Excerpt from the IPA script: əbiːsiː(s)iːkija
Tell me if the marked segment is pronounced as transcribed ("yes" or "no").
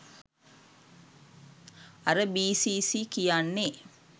yes